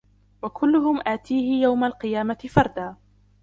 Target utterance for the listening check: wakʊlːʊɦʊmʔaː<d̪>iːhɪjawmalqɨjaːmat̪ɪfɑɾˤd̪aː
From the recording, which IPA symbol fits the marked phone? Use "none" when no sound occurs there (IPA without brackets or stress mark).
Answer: t̪